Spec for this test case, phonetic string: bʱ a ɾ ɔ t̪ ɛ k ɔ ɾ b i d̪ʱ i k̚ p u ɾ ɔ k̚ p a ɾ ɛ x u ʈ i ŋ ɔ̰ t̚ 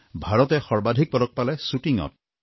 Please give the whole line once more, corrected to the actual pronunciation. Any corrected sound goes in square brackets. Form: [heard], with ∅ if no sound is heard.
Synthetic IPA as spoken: bʱ a [ɹ] ɔ t̪ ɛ [x] ɔ [ɹ] b [a] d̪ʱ i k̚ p [ɔ] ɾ ɔ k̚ p a [l] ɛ [s] u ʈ i ŋ ɔ̰ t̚